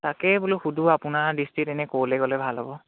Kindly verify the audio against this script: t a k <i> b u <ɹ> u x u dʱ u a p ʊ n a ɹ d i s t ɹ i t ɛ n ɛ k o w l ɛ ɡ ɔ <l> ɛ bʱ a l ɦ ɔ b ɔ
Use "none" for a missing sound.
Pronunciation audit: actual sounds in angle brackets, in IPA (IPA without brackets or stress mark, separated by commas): ɛ, l, l